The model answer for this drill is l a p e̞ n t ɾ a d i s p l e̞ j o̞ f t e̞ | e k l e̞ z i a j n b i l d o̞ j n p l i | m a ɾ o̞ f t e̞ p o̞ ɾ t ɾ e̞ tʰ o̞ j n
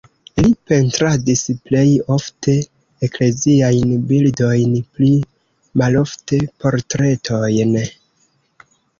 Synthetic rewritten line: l i p e̞ n t ɾ a d i s p l e̞ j o̞ f t e̞ | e k l e̞ z i a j n b i l d o̞ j n p l i | m a l o̞ f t e̞ p o̞ ɾ t ɾ e̞ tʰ o̞ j n